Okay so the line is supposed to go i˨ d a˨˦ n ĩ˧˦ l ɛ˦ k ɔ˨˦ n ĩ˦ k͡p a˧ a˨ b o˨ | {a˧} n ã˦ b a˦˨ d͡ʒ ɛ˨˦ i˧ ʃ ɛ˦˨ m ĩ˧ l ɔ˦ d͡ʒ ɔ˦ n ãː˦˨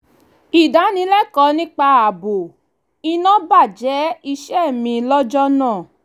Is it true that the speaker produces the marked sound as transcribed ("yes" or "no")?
no